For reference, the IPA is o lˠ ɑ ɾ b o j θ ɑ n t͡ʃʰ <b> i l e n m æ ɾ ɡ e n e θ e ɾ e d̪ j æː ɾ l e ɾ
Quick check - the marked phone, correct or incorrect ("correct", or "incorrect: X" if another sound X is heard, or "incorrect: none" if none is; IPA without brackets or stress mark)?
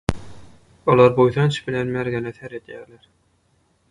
correct